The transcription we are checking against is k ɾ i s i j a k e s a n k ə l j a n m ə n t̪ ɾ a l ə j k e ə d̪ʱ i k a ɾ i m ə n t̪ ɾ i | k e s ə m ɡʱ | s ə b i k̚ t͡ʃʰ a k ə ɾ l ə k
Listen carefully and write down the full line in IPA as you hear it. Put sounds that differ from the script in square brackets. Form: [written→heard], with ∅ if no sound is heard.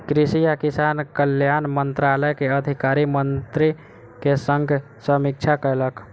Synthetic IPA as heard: k ɾ i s i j a k [e→i] s a n k ə l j a n m ə n t̪ ɾ a l ə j k e ə d̪ʱ i k a ɾ i m ə n t̪ ɾ i | k e s ə [m→ŋ] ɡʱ | s ə [b→m] i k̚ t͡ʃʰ a k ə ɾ l ə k